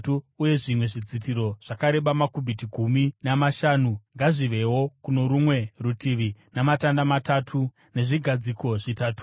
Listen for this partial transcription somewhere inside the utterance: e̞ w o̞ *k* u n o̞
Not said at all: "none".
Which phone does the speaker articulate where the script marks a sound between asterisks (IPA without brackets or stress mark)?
k